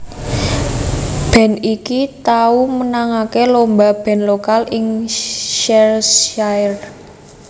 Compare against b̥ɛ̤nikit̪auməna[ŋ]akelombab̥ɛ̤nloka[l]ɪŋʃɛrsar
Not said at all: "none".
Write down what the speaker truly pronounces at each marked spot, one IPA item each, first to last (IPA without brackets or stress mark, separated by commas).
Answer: ŋ, l